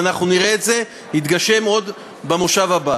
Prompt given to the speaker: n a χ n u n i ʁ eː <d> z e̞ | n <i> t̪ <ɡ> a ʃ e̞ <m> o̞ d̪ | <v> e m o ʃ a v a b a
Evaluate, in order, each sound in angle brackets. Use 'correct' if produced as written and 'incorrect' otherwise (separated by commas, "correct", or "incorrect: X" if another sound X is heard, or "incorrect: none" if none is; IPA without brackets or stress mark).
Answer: incorrect: t, correct, correct, correct, incorrect: b